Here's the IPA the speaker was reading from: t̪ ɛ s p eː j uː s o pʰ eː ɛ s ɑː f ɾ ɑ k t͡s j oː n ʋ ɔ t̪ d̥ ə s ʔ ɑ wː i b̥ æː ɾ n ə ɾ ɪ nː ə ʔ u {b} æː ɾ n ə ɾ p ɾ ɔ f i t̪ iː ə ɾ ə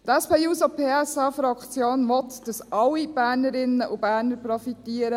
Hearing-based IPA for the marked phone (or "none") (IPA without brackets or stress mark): b